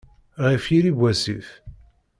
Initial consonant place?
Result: uvular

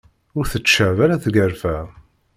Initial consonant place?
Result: alveolar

